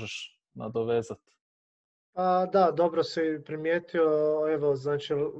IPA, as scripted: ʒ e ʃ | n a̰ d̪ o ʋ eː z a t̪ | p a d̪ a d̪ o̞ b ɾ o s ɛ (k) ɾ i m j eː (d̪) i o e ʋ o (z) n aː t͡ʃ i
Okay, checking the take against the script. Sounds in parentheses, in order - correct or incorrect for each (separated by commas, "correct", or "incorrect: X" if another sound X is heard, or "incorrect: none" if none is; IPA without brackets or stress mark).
incorrect: p, incorrect: t̪, correct